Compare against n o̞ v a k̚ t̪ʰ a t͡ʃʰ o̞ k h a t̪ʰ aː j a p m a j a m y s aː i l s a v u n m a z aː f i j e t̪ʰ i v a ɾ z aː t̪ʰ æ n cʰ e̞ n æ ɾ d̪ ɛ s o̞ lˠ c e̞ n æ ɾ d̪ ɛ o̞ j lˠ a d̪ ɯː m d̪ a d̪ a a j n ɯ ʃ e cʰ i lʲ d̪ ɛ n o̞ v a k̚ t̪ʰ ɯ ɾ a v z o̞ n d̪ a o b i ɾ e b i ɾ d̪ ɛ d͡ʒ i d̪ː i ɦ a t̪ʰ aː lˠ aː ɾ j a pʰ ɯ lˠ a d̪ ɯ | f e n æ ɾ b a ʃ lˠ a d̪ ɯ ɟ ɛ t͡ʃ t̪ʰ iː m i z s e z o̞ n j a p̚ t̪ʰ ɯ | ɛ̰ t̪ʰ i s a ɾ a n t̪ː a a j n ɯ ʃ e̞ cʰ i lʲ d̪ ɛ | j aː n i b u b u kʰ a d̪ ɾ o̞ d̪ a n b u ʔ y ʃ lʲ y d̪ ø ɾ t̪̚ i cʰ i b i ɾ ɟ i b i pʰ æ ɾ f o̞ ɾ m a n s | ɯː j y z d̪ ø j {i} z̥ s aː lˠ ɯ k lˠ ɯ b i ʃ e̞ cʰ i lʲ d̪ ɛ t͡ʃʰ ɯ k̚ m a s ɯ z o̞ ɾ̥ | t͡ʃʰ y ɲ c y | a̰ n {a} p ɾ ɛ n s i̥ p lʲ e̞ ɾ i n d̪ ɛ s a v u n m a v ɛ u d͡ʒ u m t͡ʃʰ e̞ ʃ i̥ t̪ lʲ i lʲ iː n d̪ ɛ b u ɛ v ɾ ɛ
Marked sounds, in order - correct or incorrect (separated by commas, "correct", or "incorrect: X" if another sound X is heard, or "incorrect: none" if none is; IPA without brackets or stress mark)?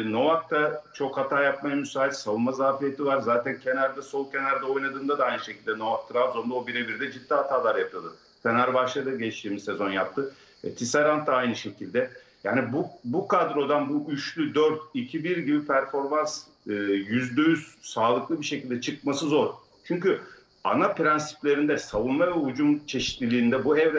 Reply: incorrect: y, correct